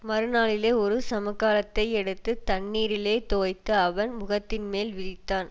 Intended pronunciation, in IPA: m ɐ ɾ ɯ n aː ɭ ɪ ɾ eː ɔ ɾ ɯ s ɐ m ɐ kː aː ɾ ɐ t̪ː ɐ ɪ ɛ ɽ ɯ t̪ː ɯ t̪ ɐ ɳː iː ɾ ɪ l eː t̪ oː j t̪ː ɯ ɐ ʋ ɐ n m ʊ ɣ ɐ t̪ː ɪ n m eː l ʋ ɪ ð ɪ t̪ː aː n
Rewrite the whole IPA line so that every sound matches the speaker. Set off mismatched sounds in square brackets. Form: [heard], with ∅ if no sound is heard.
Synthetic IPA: m ɐ ɾ ɯ n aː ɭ ɪ [l] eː ɔ ɾ ɯ s ɐ m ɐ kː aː [l] ɐ t̪ː ɐ ɪ ɛ ɽ ɯ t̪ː ɯ t̪ ɐ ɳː iː ɾ ɪ l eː t̪ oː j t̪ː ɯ ɐ ʋ ɐ n m ʊ ɣ ɐ t̪ː ɪ n m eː l ʋ ɪ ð ɪ t̪ː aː n